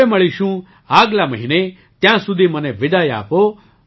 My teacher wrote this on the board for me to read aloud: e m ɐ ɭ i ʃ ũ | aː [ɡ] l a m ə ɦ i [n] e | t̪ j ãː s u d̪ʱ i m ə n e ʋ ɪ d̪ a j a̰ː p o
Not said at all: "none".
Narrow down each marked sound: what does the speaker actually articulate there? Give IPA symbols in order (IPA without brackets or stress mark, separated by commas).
ɡ, n